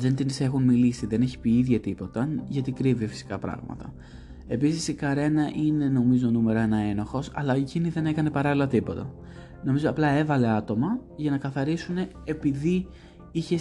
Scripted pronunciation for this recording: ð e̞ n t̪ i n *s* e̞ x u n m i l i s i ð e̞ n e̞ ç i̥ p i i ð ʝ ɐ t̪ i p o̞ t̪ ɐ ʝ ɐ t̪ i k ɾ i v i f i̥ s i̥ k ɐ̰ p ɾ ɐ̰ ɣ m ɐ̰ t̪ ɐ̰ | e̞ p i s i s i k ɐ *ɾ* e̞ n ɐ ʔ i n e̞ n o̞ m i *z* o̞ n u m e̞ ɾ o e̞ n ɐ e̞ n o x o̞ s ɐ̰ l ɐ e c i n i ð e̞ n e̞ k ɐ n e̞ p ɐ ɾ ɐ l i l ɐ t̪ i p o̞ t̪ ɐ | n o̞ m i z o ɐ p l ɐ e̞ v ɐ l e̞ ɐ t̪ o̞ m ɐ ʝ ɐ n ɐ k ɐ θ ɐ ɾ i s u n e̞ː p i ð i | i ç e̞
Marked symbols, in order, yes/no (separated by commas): yes, yes, yes